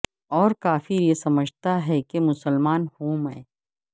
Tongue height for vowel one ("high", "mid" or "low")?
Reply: mid